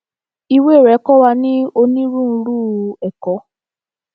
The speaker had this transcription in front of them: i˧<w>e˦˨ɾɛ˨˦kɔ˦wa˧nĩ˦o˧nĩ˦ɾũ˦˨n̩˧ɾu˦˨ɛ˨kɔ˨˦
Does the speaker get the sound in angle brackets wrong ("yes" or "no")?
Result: no